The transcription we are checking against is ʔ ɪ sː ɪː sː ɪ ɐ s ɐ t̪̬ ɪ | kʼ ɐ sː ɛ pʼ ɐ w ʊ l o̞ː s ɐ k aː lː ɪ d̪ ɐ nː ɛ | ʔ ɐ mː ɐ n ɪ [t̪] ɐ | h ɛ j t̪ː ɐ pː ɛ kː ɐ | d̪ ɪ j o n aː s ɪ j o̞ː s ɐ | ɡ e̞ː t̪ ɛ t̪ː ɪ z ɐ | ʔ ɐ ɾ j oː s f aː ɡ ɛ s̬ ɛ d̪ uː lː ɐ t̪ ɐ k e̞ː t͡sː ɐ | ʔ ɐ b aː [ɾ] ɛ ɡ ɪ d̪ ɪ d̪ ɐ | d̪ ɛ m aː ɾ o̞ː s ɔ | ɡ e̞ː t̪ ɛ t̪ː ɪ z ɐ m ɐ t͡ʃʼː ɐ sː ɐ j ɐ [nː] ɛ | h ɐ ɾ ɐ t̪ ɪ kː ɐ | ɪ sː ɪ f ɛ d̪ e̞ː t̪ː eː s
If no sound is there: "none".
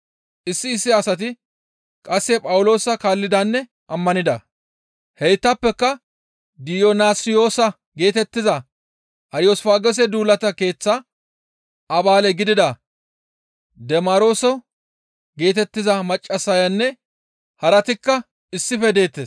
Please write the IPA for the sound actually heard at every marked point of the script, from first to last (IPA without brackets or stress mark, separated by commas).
d̪, l, nː